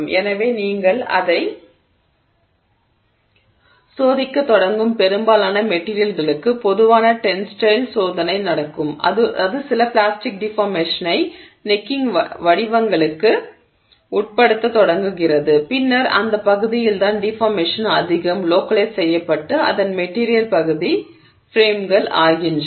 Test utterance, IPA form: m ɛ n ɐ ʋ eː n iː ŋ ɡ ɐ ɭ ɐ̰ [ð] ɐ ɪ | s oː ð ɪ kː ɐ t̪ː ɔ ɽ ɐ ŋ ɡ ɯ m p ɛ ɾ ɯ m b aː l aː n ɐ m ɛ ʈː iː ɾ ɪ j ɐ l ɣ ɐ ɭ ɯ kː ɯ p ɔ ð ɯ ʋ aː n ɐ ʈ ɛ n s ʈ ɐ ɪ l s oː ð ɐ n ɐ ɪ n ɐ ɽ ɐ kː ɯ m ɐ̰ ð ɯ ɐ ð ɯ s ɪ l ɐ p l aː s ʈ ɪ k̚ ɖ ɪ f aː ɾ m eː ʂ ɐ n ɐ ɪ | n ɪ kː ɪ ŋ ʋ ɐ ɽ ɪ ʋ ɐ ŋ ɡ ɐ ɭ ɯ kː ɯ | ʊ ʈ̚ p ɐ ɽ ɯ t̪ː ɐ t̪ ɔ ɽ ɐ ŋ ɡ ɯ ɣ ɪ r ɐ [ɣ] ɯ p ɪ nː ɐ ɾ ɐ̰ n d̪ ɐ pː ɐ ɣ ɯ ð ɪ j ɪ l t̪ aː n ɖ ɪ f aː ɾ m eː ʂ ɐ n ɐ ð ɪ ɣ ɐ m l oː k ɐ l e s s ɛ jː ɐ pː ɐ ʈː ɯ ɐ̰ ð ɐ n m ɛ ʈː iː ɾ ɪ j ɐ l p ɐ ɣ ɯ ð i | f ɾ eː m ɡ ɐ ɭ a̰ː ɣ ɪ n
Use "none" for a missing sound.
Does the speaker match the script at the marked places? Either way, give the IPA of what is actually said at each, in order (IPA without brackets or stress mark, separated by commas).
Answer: ð, ð